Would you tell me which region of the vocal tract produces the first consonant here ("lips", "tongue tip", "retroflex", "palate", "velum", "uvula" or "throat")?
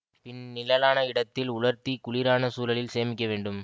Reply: lips